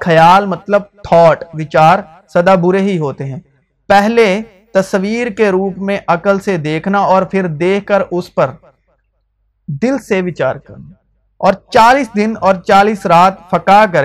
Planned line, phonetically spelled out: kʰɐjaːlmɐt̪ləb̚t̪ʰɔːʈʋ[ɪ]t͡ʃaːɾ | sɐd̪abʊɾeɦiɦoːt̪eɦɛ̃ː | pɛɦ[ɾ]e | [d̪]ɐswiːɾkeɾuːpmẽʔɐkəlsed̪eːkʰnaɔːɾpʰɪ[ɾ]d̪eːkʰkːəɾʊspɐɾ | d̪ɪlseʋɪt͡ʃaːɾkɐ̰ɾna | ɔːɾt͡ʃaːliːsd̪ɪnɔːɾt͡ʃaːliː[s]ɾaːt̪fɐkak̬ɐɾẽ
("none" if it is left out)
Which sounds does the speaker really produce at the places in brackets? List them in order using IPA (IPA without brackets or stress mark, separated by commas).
ɪ, l, t̪, ɾ, s